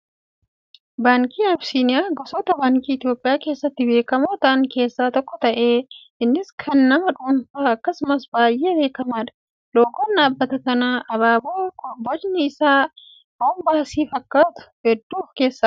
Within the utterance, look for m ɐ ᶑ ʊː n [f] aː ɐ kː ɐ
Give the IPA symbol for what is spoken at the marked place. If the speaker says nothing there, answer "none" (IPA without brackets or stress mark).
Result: f